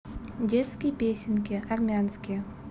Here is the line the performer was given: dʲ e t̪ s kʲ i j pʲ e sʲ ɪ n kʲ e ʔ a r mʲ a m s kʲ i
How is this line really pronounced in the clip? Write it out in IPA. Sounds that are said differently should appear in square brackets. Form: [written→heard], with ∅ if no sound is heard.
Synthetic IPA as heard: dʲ e t̪ s kʲ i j pʲ e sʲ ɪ n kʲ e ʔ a r mʲ a [m→n] s kʲ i

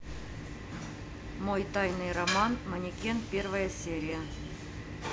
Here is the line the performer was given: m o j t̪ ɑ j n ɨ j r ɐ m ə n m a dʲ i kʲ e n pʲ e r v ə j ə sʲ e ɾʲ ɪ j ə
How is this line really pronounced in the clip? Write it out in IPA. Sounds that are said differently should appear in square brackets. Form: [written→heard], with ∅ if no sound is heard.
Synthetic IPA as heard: m o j t̪ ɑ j n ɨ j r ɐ m [ə→ɑ] n m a [dʲ→nʲ] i kʲ e n pʲ e r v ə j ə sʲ e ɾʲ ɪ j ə

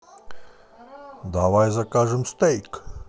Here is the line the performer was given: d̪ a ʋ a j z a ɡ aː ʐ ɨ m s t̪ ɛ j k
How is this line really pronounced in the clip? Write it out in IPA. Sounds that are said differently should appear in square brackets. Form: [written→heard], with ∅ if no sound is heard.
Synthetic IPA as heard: d̪ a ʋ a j z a [ɡ→k] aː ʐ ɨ m s t̪ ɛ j k

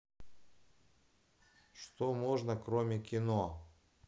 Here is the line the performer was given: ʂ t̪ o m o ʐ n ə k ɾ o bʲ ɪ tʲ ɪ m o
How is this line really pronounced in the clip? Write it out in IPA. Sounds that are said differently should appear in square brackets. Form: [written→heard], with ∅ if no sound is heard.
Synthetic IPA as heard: ʂ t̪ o m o ʐ n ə k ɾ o [bʲ→mʲ] ɪ [tʲ→kʲ] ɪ [m→n] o

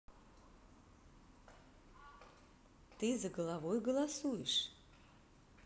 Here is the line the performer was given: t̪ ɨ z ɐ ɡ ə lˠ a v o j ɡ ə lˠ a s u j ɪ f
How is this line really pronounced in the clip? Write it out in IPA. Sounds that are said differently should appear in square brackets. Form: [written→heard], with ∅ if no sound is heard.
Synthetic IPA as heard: t̪ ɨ z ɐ ɡ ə lˠ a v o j ɡ ə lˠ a s u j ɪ [f→ʂ]

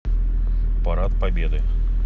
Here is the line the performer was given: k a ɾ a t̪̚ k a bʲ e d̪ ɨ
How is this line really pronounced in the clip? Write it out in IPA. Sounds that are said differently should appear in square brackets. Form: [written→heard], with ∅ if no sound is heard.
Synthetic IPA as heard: [k→p] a ɾ a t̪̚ [k→p] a bʲ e d̪ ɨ

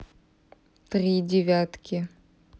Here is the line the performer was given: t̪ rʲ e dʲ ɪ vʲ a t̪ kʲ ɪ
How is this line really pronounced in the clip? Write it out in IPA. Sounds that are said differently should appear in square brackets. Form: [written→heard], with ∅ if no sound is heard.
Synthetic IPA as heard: t̪ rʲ [e→i] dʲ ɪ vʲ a t̪ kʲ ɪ

